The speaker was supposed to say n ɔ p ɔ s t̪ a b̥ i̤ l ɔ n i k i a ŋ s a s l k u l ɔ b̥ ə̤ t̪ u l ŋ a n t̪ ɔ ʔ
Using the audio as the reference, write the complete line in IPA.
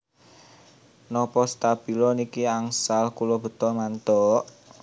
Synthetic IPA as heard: n ɔ p ɔ s t̪ a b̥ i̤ l ɔ n i k i a ŋ s a l k u l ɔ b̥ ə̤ t̪ ɔ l m a n t̪ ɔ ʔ